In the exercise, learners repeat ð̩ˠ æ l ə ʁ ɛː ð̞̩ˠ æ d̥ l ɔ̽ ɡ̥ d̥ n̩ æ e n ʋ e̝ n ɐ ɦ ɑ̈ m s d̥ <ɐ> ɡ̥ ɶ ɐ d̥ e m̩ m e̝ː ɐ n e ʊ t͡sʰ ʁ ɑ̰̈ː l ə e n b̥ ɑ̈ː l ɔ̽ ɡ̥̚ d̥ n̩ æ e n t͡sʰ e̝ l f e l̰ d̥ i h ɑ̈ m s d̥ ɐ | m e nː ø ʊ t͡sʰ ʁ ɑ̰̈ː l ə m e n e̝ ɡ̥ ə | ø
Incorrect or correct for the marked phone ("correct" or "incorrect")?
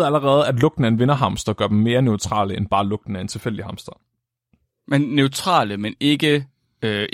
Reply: correct